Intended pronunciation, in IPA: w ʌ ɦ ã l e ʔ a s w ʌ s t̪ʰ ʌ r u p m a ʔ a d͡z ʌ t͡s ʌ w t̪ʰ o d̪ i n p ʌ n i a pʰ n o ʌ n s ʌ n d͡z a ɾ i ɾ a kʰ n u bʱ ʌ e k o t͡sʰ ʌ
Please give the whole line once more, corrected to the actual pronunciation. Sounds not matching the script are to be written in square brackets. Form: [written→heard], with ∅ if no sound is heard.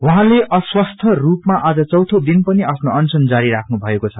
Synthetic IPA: w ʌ ɦ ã l e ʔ [a→ʌ] s w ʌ s t̪ʰ ʌ r u p m a ʔ a d͡z ʌ t͡s ʌ w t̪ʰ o d̪ i n p ʌ n i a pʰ n o ʌ n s ʌ n d͡z a ɾ i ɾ a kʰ n u bʱ ʌ e k o t͡sʰ ʌ